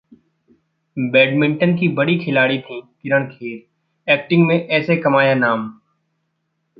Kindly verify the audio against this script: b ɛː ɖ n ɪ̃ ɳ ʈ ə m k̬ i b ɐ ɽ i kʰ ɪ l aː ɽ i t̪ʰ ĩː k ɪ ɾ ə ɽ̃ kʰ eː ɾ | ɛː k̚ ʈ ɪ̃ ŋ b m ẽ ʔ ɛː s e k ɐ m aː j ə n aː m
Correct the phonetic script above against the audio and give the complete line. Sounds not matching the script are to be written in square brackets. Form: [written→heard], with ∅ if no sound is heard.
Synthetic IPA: b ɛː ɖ [n→m] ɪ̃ ɳ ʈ ə [m→n] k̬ i b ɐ ɽ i kʰ ɪ l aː ɽ i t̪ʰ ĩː k ɪ ɾ ə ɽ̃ kʰ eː ɾ | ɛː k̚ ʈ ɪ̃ ŋ [b→ɡ] m ẽ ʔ ɛː s e k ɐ m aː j [ə→a] n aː m